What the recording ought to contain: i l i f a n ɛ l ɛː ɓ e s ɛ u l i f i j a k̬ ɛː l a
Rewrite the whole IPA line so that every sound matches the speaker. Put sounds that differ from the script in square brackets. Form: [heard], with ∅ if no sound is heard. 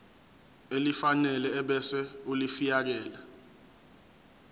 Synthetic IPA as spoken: [e] l i f a n ɛ l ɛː ɓ [ɛ] s ɛ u l i f i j a k̬ ɛː l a